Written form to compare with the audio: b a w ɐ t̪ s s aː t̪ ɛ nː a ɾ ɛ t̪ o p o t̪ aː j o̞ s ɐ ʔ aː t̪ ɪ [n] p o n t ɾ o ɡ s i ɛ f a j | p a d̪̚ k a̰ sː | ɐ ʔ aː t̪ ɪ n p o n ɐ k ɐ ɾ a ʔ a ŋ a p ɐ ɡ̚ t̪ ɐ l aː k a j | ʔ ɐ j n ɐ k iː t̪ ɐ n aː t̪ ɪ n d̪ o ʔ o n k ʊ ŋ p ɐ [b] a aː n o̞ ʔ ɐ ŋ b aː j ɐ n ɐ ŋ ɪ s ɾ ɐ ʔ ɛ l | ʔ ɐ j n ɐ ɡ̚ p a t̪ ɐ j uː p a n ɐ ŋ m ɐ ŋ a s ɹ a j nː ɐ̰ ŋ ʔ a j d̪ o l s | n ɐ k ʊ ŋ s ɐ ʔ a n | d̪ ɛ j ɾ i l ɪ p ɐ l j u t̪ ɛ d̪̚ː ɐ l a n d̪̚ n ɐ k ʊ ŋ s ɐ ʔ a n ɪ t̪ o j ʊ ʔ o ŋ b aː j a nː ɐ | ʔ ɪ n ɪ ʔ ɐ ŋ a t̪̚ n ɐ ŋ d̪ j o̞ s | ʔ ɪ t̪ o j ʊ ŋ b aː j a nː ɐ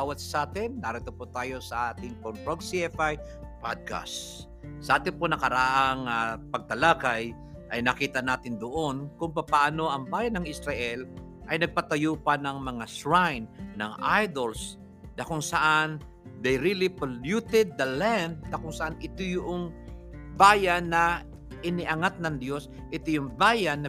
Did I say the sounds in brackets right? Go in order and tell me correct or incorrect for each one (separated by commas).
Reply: incorrect, incorrect